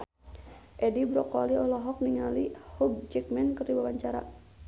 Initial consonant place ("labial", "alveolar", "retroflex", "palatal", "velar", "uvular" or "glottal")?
glottal